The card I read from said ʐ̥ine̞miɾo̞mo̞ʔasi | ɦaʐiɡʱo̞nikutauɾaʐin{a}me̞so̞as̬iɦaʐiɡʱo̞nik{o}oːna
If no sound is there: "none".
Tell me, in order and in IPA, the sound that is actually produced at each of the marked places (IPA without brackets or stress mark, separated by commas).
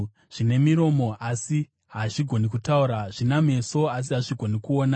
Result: a, u